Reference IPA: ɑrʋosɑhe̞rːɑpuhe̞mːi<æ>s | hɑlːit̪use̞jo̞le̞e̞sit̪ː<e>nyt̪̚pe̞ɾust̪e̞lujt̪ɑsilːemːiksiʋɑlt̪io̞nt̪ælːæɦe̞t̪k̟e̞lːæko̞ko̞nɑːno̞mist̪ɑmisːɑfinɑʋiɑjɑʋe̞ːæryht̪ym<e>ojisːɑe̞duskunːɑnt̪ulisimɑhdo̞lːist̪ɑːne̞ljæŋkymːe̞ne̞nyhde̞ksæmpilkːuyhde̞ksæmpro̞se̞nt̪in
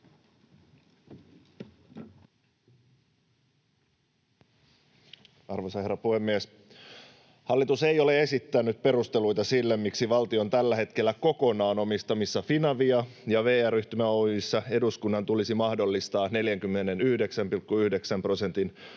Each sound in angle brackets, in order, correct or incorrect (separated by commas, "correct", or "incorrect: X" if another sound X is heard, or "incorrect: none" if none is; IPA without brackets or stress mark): incorrect: e, incorrect: æ, incorrect: æ